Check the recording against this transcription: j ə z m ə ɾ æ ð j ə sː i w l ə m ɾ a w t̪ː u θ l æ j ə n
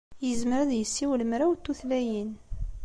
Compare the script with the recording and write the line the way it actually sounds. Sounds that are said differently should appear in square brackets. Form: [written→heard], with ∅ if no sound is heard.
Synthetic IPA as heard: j ə z m ə ɾ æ ð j ə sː i w l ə m ɾ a w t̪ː u θ l æ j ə n